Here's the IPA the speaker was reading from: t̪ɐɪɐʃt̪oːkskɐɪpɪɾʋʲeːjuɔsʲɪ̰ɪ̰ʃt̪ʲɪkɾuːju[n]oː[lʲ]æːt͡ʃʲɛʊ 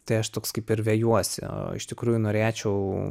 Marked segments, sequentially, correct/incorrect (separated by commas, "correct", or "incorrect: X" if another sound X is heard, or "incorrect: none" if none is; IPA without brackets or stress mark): correct, incorrect: ɾʲ